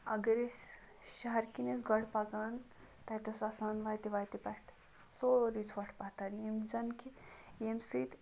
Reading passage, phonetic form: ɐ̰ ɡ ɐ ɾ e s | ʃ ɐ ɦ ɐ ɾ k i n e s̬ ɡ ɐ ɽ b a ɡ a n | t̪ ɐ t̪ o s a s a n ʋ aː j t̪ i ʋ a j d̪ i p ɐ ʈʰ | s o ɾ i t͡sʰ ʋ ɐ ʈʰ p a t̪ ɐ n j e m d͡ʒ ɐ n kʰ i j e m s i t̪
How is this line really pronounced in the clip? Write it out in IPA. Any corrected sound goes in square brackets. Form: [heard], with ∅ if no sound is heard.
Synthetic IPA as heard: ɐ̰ ɡ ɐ ɾ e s | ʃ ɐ ɦ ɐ ɾ k i n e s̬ ɡ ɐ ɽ [p] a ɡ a n | t̪ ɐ t̪ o s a s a n ʋ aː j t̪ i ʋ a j [t̪] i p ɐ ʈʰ | s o ɾ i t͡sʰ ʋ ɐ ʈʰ p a t̪ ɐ n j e m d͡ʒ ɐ n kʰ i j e m s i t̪